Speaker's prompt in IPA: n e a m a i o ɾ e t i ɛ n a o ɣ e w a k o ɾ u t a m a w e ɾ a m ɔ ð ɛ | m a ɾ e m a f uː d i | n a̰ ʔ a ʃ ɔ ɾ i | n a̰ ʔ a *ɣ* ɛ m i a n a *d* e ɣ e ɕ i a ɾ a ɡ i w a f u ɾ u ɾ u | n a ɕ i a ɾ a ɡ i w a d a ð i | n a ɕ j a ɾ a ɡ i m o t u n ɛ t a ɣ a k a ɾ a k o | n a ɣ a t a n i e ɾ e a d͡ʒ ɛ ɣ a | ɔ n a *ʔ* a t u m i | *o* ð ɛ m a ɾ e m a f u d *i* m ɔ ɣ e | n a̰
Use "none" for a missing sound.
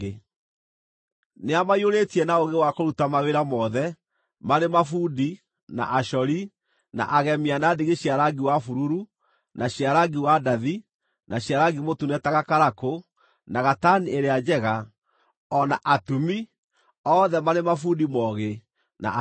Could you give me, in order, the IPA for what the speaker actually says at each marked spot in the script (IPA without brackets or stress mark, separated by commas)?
ɣ, d, ʔ, ɔ, i